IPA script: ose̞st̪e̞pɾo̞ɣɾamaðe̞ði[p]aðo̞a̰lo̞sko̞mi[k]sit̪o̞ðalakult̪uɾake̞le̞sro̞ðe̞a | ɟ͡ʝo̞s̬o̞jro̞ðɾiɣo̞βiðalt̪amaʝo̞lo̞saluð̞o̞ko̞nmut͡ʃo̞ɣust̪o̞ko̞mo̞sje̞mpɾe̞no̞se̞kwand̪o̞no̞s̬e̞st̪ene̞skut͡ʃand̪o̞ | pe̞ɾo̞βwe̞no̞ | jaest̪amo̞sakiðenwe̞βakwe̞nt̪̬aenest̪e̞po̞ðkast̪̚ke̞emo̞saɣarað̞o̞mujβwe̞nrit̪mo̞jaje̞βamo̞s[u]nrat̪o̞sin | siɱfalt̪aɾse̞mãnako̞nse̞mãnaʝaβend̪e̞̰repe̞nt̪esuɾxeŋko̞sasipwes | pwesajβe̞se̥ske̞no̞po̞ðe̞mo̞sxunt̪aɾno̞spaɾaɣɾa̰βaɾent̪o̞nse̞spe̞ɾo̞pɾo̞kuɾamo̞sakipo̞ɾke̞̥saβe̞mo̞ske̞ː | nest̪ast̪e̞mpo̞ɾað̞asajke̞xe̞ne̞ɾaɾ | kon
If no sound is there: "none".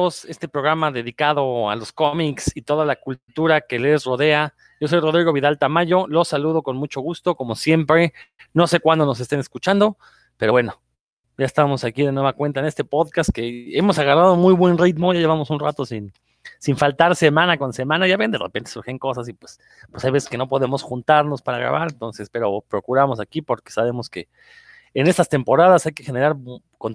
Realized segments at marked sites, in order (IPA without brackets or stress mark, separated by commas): k, k, u